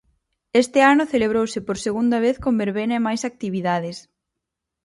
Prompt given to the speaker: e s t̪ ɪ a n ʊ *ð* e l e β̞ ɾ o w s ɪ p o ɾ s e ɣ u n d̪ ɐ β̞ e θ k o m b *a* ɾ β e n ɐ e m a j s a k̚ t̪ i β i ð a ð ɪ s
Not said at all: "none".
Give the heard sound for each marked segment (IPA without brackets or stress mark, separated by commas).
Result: θ, e